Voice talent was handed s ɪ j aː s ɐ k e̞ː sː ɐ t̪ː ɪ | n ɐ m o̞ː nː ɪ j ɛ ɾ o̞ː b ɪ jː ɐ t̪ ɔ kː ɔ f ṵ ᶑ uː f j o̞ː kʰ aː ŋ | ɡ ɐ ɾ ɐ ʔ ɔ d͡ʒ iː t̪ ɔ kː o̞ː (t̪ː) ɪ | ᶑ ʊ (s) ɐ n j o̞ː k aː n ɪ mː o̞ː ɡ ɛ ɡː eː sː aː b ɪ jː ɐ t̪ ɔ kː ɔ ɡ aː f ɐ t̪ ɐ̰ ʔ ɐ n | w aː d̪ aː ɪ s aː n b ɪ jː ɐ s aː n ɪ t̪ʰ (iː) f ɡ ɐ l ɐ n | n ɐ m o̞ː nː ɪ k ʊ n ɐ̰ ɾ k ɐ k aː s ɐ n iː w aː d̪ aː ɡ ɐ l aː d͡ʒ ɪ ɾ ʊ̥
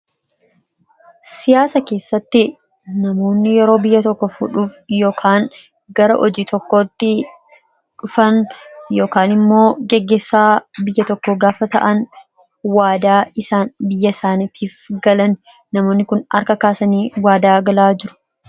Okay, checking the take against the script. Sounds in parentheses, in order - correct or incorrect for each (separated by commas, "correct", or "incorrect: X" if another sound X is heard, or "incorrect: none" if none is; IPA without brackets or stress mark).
correct, incorrect: f, correct